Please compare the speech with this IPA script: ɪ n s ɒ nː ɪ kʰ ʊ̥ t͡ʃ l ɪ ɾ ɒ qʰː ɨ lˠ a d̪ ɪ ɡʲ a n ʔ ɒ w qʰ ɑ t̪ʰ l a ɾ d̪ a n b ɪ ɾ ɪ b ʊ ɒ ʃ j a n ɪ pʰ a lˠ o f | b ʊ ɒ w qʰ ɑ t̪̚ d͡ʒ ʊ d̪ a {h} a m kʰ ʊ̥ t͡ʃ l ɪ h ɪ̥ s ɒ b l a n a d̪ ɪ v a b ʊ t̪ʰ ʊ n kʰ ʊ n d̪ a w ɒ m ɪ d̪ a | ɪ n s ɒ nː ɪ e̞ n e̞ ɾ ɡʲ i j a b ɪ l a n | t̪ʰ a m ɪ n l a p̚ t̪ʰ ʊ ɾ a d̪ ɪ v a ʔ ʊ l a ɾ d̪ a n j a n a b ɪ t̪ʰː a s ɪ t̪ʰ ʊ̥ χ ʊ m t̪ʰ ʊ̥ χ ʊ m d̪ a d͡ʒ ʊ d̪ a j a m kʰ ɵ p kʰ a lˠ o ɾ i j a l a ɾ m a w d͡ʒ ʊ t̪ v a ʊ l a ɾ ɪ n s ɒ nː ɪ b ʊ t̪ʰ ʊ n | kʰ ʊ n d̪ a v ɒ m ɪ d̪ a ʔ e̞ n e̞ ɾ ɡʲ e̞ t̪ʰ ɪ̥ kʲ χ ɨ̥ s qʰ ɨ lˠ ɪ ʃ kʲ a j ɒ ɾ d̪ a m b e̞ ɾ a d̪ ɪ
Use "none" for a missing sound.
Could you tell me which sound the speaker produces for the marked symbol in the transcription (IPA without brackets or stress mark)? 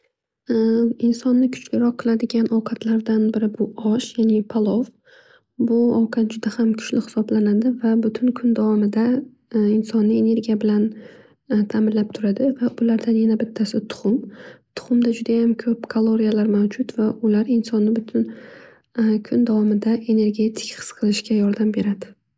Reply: h